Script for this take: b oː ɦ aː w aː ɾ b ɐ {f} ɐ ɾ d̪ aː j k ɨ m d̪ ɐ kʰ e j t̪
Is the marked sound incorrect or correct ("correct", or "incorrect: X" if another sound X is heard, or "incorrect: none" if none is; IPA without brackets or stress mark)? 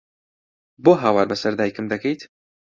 incorrect: s